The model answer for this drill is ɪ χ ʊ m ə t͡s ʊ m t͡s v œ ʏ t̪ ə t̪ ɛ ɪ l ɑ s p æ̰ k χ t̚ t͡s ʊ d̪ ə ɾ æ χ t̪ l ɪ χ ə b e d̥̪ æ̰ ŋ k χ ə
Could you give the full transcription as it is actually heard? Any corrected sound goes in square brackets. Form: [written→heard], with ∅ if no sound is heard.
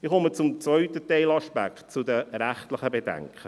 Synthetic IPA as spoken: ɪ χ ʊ m ə t͡s ʊ m t͡s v œ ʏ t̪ ə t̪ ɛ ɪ l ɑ [s→ʃ] p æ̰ k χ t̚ t͡s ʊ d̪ ə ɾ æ χ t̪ l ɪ χ ə b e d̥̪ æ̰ ŋ k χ ə